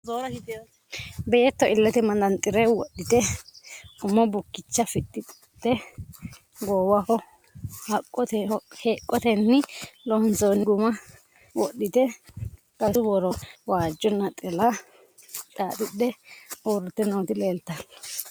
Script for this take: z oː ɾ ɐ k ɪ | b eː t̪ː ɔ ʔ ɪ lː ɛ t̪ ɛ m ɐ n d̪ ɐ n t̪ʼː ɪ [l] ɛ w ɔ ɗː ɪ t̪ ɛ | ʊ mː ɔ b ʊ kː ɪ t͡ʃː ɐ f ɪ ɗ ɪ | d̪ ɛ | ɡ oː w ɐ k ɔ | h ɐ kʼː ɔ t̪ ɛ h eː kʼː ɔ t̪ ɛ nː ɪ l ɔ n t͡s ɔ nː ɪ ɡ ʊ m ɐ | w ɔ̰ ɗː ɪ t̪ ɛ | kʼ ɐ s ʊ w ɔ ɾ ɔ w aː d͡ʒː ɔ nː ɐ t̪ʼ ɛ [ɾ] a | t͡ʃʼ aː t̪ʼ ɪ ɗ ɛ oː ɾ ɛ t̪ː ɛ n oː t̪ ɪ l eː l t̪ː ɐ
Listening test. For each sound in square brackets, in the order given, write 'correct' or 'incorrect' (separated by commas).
incorrect, incorrect